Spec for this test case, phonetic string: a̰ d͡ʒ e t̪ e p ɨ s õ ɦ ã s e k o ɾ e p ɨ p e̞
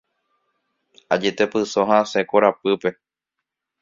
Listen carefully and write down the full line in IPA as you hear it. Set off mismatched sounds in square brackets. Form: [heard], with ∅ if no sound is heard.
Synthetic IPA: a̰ d͡ʒ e t̪ e p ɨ s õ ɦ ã s e k o ɾ [a] p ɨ p e̞